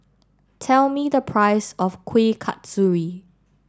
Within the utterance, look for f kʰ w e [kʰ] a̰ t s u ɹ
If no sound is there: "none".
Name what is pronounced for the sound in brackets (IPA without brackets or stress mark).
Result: kʰ